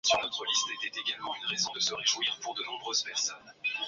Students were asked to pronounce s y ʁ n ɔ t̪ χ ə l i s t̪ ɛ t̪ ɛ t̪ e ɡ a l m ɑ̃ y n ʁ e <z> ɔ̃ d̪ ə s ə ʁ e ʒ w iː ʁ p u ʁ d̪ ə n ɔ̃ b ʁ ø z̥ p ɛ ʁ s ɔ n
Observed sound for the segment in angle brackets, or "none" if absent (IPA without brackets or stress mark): z